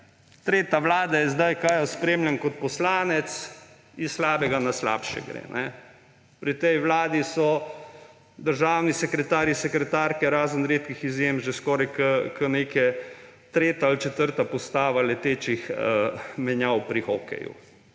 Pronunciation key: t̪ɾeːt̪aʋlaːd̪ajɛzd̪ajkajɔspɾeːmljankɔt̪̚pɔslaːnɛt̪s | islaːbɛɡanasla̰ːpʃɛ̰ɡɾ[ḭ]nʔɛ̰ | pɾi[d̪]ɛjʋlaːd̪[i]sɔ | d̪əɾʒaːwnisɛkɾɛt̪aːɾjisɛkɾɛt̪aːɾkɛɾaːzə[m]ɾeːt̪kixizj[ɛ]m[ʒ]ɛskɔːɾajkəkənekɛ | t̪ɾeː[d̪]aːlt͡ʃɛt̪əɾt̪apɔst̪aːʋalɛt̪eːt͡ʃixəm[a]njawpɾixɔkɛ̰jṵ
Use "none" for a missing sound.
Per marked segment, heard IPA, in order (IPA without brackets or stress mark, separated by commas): ḛ, t̪, i, n, e, ʒ, t̪, ɛ